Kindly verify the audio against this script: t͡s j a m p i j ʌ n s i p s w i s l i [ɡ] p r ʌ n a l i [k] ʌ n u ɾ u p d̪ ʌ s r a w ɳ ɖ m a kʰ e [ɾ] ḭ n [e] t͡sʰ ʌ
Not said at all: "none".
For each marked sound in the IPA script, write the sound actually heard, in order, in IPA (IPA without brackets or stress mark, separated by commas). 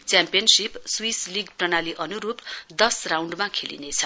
ɡ, ʔ, l, e